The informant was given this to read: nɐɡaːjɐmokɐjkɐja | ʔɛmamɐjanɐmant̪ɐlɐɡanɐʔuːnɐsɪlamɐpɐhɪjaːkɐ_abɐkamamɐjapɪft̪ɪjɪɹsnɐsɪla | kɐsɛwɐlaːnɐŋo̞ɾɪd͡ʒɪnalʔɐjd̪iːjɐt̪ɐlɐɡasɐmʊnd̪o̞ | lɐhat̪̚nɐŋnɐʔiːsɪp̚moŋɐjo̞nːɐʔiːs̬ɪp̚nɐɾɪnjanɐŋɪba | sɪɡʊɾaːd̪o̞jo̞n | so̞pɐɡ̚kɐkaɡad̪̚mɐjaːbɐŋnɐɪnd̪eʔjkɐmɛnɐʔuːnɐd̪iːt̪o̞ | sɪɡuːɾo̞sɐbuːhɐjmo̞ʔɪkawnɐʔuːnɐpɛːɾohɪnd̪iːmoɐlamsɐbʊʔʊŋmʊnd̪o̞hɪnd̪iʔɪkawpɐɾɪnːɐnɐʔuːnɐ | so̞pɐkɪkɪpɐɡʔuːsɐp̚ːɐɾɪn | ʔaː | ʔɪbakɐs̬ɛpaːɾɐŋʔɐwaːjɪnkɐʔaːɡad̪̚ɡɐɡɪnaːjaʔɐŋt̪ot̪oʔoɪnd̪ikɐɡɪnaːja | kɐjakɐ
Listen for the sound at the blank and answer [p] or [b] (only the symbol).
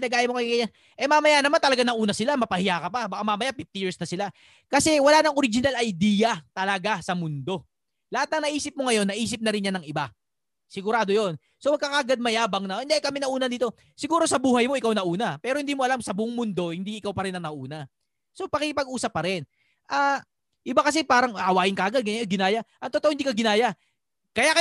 p